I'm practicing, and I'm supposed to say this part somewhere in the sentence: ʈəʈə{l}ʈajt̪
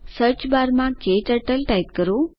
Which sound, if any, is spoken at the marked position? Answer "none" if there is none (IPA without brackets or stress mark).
l